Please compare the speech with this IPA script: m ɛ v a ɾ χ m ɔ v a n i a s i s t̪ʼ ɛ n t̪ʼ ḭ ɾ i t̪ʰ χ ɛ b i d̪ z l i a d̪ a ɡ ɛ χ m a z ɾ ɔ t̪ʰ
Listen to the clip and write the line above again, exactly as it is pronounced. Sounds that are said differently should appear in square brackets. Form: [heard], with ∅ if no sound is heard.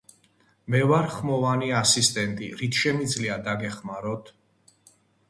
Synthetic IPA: m ɛ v a ɾ χ m ɔ v a n i a s i s t̪ʼ ɛ n t̪ʼ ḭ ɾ i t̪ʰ [ʃ] ɛ [m] i d̪ z l i a d̪ a ɡ ɛ χ m a [∅] ɾ ɔ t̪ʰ

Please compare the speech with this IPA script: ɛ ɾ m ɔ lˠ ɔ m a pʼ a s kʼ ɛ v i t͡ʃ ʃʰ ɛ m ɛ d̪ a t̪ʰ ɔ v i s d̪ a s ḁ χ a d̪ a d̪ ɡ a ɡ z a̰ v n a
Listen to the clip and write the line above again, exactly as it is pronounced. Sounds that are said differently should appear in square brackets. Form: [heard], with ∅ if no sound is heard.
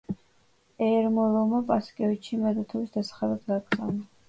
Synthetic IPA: ɛ ɾ m ɔ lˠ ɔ m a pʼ a s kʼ ɛ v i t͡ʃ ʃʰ [i] m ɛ d̪ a t̪ʰ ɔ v i s d̪ a s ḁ χ a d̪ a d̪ ɡ a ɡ z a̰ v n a

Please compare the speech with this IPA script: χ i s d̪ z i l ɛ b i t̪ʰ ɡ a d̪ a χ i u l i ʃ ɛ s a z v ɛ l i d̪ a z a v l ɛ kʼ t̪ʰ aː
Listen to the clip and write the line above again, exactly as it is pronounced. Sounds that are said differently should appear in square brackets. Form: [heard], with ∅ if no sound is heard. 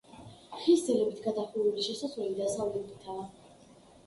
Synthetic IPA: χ i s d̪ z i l ɛ b i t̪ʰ ɡ a d̪ a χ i u l i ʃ ɛ s a z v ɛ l i d̪ a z a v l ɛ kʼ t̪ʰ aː

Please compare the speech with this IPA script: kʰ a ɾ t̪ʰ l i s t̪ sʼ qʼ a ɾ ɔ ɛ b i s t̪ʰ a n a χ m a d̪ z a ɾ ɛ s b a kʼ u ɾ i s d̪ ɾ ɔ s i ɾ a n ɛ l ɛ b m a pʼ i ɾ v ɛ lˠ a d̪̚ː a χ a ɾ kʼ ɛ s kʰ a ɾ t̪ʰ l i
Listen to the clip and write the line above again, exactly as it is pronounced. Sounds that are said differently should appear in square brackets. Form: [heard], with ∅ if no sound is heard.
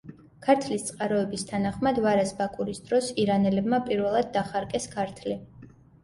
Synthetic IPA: kʰ a ɾ t̪ʰ l i s t̪ sʼ qʼ a ɾ ɔ ɛ b i s t̪ʰ a n a χ m a d̪ [v] a ɾ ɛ s b a kʼ u ɾ i s d̪ ɾ ɔ s i ɾ a n ɛ l ɛ b m a pʼ i ɾ v ɛ lˠ a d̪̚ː a χ a ɾ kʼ ɛ s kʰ a ɾ t̪ʰ l i

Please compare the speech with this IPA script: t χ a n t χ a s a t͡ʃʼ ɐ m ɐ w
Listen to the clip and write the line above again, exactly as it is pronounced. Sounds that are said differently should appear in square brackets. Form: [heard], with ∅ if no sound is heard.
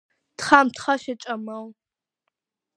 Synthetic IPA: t χ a [m] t χ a [ʃ] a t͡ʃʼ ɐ m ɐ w

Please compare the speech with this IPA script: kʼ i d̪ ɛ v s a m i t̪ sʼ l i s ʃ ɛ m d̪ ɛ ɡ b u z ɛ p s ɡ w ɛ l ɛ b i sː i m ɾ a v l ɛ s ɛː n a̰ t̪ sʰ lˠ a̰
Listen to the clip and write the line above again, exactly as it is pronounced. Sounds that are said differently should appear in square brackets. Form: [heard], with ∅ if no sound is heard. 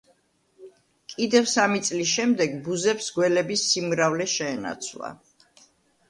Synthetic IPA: kʼ i d̪ ɛ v s a m i t̪ sʼ l i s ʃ ɛ m d̪ ɛ ɡ b u z ɛ p s ɡ w ɛ l ɛ b i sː i m ɾ a v l ɛ [ʃ] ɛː n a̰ t̪ sʰ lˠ a̰

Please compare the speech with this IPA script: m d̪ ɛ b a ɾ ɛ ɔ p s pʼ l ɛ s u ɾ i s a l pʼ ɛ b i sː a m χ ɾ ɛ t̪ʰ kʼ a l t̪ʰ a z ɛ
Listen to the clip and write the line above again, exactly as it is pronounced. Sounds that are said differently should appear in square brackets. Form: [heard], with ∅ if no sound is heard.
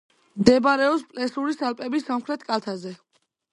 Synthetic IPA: m d̪ ɛ b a ɾ ɛ ɔ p s pʼ l ɛ s u ɾ i s a l pʼ ɛ b i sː a m χ ɾ ɛ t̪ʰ kʼ a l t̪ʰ a z ɛ

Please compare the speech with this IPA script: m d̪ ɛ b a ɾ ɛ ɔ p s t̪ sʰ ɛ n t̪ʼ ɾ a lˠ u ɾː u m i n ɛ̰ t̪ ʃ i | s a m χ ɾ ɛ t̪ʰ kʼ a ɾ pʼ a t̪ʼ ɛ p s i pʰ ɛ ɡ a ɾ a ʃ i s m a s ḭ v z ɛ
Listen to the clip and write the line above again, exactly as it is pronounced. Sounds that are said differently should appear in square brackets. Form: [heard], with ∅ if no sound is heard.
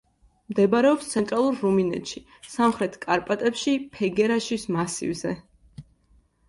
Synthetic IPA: m d̪ ɛ b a ɾ ɛ ɔ p s t̪ sʰ ɛ n t̪ʼ ɾ a lˠ u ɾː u m i n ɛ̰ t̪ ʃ i | s a m χ ɾ ɛ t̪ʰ kʼ a ɾ pʼ a t̪ʼ ɛ p [ʃ] i pʰ ɛ ɡ [ɛ] ɾ a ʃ i s m a s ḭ v z ɛ

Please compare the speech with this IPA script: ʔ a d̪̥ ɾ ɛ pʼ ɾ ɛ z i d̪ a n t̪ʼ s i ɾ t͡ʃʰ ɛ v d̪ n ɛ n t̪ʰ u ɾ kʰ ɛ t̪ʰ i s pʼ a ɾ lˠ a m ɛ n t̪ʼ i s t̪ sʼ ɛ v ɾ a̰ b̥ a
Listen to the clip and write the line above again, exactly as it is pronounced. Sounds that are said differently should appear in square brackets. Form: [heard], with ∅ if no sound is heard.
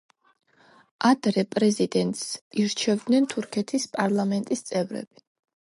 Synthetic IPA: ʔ a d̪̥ ɾ ɛ pʼ ɾ ɛ z i d̪ [ɛ] n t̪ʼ s i ɾ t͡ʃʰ ɛ v d̪ n ɛ n t̪ʰ u ɾ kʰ ɛ t̪ʰ i s pʼ a ɾ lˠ a m ɛ n t̪ʼ i s t̪ sʼ ɛ v ɾ [ɛ̰] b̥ [i]

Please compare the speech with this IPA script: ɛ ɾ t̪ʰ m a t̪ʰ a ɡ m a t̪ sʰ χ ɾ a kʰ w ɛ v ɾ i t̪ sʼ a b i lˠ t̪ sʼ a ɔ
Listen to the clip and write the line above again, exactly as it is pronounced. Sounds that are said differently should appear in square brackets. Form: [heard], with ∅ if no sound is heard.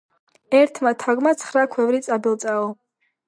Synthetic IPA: ɛ ɾ t̪ʰ m a t̪ʰ a ɡ m a t̪ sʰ χ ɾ a kʰ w ɛ v ɾ i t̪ sʼ a b i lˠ t̪ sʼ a ɔ

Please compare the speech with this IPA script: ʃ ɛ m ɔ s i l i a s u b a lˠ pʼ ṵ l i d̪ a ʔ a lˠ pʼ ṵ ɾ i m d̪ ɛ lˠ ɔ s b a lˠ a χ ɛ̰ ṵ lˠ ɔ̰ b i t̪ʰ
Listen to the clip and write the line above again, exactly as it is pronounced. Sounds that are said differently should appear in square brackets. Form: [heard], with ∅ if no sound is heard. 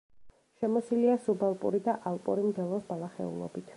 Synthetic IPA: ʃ ɛ m ɔ s i l i a s u b a lˠ pʼ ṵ [ɾ] i d̪ a ʔ a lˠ pʼ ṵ ɾ i m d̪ ɛ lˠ ɔ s b a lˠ a χ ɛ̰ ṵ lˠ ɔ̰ b i t̪ʰ

